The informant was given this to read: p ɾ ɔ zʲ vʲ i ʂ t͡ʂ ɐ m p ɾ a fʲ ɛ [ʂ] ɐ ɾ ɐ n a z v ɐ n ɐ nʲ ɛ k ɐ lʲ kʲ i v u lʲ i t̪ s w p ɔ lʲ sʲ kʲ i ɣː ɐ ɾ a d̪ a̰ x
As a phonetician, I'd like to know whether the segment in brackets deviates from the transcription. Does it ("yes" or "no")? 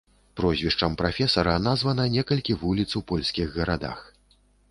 yes